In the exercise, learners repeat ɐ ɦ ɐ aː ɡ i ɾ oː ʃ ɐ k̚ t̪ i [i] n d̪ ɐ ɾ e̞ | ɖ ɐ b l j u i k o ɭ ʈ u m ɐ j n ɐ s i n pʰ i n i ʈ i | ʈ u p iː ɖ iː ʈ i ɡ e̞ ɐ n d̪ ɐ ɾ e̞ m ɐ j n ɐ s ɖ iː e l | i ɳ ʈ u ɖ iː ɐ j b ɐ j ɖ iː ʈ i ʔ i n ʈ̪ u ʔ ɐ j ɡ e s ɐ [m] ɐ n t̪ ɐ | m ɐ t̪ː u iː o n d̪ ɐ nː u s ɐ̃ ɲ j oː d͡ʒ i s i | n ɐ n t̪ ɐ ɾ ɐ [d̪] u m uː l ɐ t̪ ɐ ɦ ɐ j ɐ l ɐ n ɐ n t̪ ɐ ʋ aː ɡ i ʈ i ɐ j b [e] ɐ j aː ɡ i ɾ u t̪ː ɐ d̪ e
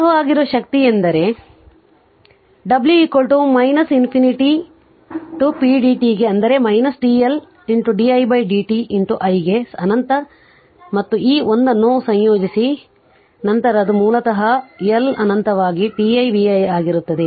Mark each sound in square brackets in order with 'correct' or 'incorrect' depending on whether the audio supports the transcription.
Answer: incorrect: e, incorrect: n, correct, incorrect: i

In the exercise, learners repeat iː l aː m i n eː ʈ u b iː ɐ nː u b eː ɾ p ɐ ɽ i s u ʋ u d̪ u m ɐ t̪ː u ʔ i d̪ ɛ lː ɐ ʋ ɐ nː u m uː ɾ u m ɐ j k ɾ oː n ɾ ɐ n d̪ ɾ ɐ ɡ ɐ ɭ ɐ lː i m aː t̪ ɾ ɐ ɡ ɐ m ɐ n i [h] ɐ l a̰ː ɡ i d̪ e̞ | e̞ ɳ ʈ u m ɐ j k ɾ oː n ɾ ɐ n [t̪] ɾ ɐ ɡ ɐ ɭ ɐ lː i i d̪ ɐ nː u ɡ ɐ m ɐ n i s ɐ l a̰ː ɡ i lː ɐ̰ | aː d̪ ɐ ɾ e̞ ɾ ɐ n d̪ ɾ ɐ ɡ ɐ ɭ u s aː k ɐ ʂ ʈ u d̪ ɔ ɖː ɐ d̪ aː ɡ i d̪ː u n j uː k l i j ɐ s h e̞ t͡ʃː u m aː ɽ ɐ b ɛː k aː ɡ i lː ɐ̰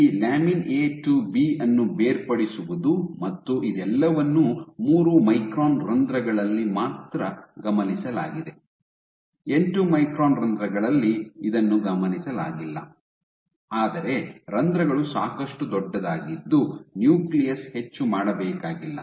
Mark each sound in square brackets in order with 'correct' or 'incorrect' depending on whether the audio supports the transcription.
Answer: incorrect: s, incorrect: d̪

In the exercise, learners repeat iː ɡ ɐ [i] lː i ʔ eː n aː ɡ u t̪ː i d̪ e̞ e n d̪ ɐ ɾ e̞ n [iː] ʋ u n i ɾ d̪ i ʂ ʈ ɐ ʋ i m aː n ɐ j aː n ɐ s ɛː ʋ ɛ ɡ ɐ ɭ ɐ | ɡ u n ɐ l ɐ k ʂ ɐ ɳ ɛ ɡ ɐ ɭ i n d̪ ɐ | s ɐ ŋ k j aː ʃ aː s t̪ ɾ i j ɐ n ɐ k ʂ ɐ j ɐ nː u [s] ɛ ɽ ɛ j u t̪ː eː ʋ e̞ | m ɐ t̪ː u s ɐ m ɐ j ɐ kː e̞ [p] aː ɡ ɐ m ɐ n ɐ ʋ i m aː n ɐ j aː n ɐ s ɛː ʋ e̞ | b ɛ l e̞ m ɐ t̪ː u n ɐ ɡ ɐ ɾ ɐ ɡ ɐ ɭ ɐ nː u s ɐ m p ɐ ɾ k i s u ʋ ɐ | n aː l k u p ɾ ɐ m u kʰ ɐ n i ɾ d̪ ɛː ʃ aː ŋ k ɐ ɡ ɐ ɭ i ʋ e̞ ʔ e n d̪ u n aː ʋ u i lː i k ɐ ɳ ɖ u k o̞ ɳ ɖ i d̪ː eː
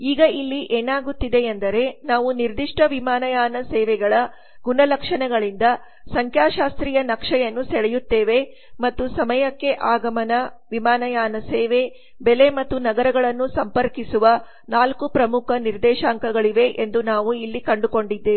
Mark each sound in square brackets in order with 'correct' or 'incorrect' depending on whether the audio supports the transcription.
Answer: correct, incorrect: aː, correct, incorrect: ʔ

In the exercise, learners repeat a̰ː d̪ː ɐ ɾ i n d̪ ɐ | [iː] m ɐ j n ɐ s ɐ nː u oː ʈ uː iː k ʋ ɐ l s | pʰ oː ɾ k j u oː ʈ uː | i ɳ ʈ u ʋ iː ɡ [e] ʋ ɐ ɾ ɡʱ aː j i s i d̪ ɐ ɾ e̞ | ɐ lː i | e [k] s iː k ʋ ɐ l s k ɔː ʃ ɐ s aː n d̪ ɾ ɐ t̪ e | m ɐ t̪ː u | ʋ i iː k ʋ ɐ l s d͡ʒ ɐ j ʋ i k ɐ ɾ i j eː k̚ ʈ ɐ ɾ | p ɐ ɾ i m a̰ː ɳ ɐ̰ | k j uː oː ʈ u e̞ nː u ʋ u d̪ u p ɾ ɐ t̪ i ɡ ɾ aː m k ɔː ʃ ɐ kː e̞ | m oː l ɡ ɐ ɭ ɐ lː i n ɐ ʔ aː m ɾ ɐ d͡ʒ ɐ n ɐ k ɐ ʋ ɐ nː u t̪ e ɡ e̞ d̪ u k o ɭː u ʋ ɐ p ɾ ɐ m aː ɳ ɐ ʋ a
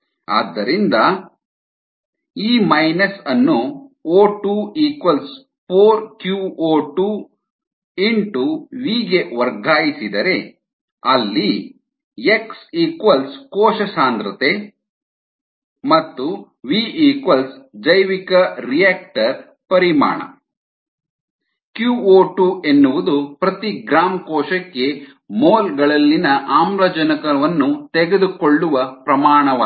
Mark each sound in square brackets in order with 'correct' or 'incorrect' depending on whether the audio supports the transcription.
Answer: correct, correct, correct

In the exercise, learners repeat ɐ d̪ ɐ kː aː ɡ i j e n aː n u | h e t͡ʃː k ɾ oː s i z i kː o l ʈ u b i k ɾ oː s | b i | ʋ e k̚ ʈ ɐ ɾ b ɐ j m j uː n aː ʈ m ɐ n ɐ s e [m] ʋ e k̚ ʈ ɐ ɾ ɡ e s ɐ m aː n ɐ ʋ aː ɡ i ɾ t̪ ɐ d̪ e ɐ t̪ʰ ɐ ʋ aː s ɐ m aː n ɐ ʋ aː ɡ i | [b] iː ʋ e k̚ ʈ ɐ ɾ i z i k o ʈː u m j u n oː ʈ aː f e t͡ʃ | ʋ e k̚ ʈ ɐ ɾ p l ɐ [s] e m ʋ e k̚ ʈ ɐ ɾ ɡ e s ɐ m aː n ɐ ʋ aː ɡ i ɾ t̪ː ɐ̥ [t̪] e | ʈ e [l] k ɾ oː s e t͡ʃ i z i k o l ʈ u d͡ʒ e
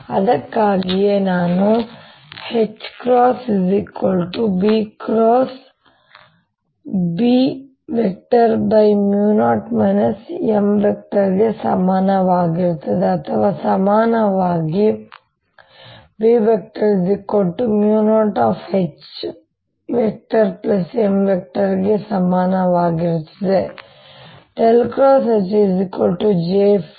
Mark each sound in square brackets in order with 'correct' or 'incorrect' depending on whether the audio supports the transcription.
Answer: correct, correct, correct, incorrect: d̪, correct

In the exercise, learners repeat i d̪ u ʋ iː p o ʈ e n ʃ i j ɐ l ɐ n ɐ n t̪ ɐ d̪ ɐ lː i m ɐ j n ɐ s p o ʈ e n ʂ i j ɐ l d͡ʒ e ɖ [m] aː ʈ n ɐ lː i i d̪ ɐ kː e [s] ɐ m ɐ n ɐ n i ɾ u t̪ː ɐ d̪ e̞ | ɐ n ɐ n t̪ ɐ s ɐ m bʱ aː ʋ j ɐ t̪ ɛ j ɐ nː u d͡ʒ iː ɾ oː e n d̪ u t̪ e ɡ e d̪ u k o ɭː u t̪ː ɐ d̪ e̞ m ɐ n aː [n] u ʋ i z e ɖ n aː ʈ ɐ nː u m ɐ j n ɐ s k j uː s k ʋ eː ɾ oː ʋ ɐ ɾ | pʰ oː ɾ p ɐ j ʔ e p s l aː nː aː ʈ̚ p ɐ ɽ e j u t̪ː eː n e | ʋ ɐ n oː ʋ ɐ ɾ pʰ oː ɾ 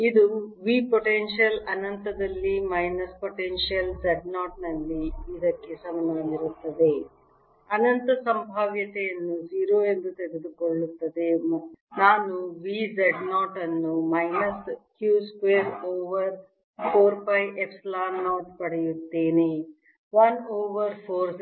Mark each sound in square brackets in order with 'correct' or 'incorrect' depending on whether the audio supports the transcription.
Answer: incorrect: n, correct, correct

